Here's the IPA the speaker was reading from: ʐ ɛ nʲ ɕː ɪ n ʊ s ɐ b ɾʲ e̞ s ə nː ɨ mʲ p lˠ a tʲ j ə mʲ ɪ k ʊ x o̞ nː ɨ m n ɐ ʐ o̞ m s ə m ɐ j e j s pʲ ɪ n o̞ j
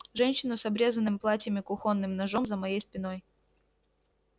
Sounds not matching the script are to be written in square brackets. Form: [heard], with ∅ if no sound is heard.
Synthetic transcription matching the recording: ʐ ɛ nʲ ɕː ɪ n ʊ s ɐ b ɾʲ e̞ [z] ə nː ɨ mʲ p lˠ a tʲ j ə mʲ ɪ k ʊ x o̞ nː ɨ m n ɐ ʐ o̞ m [z] ə m ɐ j e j s pʲ ɪ n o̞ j

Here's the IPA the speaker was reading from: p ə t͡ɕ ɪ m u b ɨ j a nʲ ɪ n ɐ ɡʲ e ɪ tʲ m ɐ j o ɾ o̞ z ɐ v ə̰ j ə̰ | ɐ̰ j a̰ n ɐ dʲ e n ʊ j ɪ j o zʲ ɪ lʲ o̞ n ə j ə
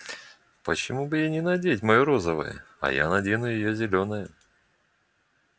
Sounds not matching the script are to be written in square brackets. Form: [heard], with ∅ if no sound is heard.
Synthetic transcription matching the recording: p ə t͡ɕ ɪ m u b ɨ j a nʲ ɪ n ɐ [dʲ] e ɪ tʲ m ɐ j o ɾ o̞ z [ə] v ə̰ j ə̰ | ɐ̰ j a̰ n ɐ dʲ e n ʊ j ɪ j o zʲ ɪ lʲ o̞ n ə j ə

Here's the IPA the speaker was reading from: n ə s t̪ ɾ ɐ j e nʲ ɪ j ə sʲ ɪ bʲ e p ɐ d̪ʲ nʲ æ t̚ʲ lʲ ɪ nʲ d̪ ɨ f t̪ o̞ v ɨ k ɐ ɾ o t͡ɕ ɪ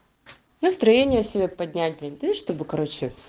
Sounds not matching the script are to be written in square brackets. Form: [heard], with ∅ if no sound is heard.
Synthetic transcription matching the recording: n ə s t̪ ɾ ɐ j e nʲ ɪ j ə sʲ ɪ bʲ e p ɐ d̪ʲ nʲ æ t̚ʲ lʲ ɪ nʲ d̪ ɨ [ʂ] t̪ o̞ [b] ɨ k ɐ ɾ o t͡ɕ ɪ

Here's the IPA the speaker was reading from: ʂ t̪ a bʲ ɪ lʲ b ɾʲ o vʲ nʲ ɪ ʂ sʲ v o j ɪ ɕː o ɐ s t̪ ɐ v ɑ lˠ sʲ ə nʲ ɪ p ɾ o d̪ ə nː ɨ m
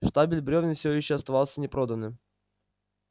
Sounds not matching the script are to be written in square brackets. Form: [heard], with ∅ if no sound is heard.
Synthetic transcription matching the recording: ʂ t̪ a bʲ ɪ lʲ b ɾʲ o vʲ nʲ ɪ [f] sʲ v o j ɪ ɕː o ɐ s t̪ ɐ v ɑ lˠ sʲ ə nʲ ɪ p ɾ o d̪ ə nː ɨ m

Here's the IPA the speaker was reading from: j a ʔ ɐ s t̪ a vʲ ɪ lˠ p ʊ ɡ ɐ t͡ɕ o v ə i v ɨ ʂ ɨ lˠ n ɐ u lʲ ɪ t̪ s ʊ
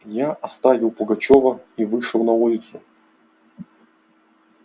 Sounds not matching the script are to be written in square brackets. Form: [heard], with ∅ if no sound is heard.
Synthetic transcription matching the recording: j a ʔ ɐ s t̪ a vʲ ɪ lˠ p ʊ ɡ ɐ t͡ɕ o v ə i v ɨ ʂ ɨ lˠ n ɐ u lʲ ɪ t̪ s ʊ

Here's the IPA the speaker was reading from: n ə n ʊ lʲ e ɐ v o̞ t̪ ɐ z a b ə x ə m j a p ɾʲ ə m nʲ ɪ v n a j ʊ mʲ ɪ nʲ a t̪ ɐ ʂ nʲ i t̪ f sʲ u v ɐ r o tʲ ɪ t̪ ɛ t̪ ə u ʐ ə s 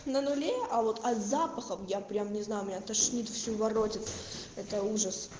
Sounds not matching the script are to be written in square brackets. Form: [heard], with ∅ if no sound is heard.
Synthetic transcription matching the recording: n ə n ʊ lʲ e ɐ v o̞ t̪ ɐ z a [p] ə x ə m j a p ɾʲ [a] m nʲ ɪ [z] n a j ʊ mʲ ɪ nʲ a t̪ ɐ ʂ nʲ i t̪ f sʲ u v ɐ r o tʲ ɪ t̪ ɛ t̪ ə u ʐ ə s

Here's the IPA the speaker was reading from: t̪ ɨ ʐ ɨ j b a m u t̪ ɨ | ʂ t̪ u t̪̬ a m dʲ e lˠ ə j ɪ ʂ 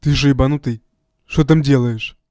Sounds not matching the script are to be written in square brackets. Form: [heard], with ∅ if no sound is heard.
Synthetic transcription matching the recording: t̪ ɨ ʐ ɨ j b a [n] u t̪ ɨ | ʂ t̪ [o] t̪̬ a m dʲ e lˠ ə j ɪ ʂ

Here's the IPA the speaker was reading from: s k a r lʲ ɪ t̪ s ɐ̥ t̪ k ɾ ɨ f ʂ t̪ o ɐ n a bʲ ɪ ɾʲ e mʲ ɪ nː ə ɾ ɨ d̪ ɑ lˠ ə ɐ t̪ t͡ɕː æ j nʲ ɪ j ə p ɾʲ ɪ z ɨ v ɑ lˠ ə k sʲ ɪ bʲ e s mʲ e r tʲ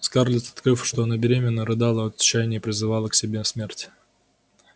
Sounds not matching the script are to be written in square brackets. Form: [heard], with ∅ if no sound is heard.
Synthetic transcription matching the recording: s k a r lʲ ɪ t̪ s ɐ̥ t̪ k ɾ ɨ f ʂ t̪ o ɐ n a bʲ ɪ ɾʲ e mʲ ɪ nː ə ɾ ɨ d̪ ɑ lˠ ə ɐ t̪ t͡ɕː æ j nʲ ɪ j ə p ɾʲ ɪ z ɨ v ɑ lˠ ə k sʲ ɪ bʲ e s mʲ e r tʲ

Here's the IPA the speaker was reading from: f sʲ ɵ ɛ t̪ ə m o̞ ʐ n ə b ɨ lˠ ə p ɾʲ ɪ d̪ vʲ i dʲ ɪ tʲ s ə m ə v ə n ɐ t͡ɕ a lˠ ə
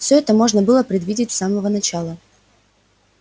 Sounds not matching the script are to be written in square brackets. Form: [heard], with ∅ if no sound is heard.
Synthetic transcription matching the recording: f sʲ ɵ ɛ t̪ ə m o̞ ʐ n ə b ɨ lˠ ə p ɾʲ ɪ d̪ vʲ i dʲ ɪ tʲ s [a] m ə v ə n ɐ t͡ɕ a lˠ ə

